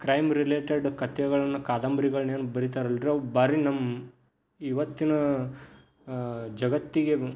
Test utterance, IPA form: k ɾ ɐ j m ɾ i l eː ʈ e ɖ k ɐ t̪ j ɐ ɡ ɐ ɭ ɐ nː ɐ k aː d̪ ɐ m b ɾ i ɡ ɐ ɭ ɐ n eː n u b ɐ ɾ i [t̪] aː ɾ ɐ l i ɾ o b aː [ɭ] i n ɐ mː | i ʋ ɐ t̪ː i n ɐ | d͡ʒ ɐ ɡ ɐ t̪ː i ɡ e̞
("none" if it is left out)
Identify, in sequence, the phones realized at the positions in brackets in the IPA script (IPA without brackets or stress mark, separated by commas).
t̪, ɾ